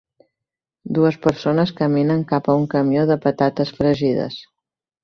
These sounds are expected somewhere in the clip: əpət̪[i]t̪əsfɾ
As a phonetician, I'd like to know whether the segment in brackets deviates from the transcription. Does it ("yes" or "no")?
yes